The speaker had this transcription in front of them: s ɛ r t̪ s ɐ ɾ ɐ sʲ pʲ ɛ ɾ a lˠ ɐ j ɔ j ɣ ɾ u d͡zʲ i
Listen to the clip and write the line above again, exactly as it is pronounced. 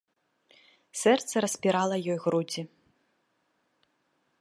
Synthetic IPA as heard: s ɛ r t̪ s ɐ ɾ ɐ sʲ pʲ i ɾ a lˠ ɐ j ɔ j ɣ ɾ u d͡zʲ i